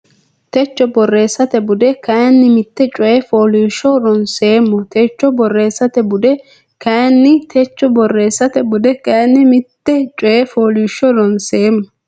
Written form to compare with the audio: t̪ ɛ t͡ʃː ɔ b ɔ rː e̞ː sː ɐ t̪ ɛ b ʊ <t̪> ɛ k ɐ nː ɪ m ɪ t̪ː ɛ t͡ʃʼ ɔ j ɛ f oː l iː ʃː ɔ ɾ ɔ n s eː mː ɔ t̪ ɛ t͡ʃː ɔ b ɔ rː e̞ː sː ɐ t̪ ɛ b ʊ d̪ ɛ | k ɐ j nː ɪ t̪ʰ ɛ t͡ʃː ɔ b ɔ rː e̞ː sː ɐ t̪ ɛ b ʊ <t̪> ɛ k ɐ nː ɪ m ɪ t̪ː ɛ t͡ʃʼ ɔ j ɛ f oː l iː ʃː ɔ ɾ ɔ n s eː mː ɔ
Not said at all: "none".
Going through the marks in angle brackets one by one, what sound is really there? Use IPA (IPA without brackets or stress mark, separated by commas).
d̪, d̪